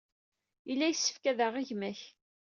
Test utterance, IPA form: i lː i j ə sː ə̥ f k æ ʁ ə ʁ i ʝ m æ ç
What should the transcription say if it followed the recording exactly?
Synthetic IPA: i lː æ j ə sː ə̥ f k æ ð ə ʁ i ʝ m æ ç